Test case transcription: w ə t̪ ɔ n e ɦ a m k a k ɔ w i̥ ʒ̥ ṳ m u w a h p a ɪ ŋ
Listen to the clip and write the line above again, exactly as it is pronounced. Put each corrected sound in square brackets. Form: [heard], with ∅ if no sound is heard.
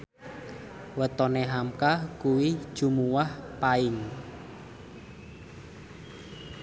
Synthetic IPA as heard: w ə t̪ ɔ n e ɦ a m k a k [u] w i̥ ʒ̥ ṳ m u w a h p a ɪ ŋ